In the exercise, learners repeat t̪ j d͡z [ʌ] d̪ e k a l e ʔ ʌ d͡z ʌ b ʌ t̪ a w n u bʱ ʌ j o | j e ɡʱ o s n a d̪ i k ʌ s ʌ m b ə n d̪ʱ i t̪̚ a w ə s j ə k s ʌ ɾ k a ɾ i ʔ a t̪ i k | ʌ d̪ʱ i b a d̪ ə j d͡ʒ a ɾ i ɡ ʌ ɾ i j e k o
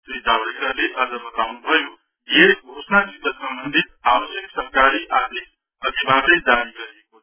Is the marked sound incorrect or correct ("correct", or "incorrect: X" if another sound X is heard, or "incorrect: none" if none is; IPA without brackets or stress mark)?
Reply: incorrect: a